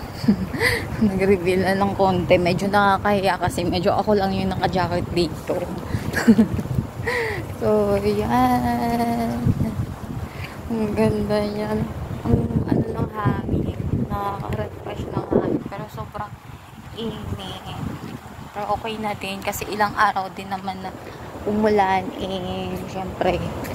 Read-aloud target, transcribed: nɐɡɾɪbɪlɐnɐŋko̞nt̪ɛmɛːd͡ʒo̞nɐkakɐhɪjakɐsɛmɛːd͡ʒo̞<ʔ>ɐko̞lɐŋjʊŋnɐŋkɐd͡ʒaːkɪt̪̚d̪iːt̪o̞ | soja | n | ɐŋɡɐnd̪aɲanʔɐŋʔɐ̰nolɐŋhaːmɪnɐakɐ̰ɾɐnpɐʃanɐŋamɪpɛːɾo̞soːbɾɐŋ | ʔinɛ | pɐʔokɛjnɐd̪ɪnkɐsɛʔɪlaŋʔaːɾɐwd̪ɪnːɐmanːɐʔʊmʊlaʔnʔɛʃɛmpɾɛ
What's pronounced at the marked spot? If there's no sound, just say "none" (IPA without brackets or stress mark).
ʔ